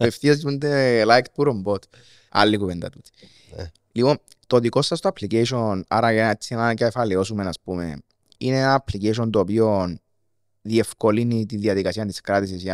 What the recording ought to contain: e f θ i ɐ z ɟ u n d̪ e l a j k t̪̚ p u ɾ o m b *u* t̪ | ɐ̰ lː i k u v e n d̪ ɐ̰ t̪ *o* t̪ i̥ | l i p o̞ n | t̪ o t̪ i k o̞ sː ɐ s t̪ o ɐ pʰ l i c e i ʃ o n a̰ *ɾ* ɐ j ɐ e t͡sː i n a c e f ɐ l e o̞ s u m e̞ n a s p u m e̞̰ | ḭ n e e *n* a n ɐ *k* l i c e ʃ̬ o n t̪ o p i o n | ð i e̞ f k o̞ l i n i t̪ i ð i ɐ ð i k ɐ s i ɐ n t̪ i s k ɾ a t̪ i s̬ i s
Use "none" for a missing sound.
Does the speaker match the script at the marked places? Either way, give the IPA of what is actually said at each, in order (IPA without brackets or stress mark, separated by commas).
o, u, ɾ, n, p